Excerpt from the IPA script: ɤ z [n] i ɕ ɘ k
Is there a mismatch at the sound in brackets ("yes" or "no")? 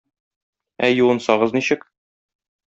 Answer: no